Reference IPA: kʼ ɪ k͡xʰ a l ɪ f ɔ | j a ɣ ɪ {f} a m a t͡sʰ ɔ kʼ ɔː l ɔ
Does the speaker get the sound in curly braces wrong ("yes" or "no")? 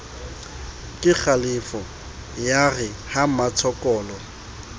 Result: yes